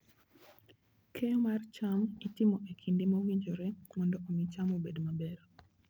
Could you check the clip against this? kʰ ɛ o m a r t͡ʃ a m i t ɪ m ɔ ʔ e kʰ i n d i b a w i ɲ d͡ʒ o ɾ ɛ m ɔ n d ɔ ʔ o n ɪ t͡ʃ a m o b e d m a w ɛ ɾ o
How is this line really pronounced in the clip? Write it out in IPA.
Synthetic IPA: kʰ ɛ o m a r t͡ʃ a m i t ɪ m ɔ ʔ e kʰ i n d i m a w i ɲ d͡ʒ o ɾ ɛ m ɔ n d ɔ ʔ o m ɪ t͡ʃ a m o b e d m a b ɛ ɾ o